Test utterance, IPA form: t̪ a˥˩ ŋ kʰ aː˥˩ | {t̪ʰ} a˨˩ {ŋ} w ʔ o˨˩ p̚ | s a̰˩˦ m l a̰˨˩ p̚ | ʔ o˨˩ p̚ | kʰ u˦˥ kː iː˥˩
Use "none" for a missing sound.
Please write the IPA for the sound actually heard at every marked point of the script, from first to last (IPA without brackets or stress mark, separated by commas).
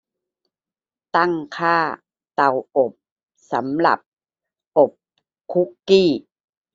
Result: t̪, none